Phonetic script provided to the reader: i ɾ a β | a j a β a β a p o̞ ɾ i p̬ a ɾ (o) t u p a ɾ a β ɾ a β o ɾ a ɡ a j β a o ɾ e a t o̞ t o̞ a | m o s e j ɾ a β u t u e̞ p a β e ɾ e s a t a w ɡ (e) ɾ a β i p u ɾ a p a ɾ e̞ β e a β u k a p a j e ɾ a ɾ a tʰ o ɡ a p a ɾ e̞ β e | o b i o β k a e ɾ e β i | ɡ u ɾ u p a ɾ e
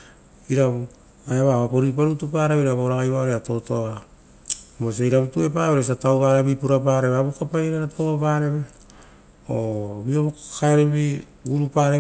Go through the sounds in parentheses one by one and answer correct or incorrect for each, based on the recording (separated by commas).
incorrect, incorrect